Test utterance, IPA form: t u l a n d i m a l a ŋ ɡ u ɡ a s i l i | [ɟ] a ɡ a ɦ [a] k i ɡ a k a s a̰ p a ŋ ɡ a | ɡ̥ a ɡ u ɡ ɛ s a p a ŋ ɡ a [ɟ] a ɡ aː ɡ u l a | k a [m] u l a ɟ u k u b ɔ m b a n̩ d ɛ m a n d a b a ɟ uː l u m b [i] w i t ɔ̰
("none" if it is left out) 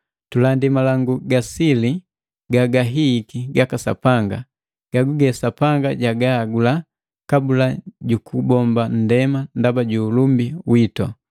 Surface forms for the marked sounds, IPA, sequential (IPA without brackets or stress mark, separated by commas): ɡ, i, ɟ, b, i